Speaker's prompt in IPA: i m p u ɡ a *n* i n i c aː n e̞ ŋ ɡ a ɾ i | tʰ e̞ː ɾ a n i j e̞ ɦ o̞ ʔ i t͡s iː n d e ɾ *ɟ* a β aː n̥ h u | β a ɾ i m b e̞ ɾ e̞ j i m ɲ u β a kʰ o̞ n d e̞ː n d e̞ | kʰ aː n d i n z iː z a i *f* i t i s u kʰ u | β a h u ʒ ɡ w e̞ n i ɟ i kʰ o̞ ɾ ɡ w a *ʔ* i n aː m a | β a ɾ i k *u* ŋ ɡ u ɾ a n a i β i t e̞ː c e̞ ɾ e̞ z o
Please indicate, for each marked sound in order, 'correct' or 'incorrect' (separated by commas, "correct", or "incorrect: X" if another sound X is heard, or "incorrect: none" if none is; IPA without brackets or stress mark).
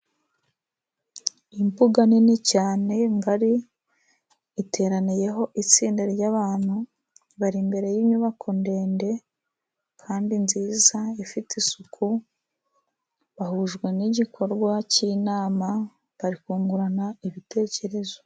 correct, correct, correct, incorrect: c, incorrect: uː